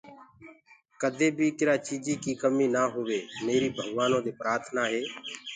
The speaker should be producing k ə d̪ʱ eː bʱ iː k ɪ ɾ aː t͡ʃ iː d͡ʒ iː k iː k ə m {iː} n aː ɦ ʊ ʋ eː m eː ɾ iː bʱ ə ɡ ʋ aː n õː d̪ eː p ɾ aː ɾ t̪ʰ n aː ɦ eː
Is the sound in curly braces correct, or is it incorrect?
correct